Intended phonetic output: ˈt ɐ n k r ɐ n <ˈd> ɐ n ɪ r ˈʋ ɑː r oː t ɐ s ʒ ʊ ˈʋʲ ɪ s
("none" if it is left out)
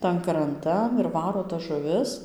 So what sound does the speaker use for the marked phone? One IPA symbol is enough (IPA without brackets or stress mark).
t